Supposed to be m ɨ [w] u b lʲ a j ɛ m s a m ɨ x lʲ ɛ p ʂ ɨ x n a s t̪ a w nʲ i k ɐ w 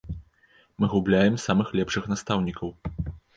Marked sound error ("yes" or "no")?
yes